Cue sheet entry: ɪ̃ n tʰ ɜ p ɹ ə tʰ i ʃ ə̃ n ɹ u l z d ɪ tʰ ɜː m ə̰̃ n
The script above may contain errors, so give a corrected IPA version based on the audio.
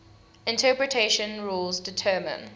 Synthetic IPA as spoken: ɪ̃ n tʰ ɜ p ɹ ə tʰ e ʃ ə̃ n ɹ u l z d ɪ tʰ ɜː m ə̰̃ n